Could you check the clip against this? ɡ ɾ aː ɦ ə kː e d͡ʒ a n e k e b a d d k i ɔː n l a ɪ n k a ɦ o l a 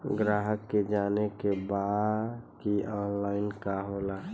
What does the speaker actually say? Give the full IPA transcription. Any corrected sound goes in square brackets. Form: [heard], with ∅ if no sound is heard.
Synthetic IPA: ɡ ɾ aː ɦ ə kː e d͡ʒ a n e k e b a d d k i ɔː n l a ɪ n k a ɦ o l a